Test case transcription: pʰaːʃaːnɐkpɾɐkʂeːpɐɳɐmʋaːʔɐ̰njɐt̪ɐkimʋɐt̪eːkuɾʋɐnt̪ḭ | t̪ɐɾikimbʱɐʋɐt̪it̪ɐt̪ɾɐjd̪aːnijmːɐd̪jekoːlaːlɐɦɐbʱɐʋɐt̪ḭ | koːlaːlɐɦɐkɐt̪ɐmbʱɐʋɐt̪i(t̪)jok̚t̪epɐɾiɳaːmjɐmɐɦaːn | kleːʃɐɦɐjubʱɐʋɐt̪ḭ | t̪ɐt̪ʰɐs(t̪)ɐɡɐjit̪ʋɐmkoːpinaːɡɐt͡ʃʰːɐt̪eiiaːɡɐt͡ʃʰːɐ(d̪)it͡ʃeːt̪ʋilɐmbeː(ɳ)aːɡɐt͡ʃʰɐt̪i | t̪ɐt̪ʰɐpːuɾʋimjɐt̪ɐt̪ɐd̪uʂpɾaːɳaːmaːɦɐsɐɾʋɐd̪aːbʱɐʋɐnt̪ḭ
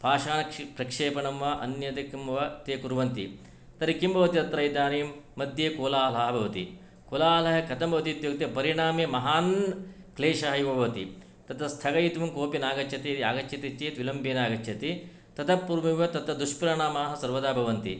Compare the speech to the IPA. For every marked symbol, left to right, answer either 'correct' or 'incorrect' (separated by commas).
correct, incorrect, incorrect, incorrect